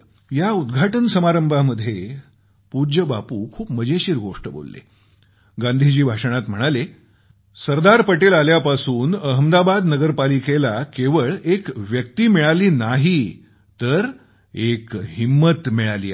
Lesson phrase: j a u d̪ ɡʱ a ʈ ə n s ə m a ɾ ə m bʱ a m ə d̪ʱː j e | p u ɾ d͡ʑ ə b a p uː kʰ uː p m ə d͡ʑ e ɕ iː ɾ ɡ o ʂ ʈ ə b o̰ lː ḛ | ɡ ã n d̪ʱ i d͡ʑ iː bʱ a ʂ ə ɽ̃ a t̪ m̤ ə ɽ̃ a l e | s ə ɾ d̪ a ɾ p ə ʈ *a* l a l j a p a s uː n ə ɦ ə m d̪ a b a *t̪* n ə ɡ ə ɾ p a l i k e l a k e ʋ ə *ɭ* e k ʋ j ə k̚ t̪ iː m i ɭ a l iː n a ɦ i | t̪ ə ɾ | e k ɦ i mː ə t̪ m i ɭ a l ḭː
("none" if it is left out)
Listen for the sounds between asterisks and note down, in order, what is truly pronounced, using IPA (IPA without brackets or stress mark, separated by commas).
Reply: e, d̪, ɭ